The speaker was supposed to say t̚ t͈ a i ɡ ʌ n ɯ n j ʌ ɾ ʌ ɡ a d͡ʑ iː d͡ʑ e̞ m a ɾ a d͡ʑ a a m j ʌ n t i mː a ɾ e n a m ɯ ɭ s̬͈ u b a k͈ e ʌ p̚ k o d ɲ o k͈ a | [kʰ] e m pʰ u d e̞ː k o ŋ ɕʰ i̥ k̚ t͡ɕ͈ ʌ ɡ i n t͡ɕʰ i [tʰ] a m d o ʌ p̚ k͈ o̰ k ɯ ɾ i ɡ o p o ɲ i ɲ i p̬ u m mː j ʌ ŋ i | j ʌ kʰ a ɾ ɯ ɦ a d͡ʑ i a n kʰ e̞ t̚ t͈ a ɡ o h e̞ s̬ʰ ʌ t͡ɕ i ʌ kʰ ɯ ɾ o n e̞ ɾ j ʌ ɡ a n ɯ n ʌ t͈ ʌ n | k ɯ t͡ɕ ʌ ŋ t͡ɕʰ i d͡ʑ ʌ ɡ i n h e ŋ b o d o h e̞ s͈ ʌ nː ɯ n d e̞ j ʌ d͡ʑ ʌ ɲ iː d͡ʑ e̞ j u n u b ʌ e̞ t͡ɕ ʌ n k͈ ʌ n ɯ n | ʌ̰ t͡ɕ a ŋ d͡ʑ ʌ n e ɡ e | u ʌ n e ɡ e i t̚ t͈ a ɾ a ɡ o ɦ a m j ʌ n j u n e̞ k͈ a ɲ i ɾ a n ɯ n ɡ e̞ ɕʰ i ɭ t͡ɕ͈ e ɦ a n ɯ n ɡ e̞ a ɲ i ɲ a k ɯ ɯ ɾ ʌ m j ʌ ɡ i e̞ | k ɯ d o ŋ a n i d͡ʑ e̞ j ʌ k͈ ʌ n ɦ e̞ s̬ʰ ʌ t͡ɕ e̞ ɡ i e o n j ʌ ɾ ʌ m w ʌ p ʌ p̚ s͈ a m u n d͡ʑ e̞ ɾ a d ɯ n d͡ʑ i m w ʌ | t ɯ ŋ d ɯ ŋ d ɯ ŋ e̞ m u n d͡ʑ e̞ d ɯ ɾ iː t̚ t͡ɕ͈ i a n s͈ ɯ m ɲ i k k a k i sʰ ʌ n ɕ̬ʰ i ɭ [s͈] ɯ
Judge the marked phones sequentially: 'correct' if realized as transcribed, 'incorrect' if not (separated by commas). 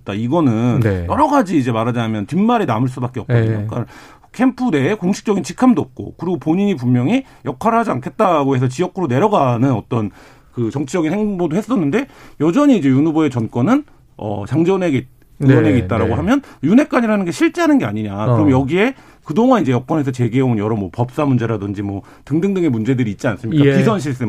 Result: correct, incorrect, correct